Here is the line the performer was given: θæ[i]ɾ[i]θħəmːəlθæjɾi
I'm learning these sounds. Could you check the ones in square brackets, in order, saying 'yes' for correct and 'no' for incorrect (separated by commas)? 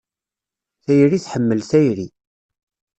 no, yes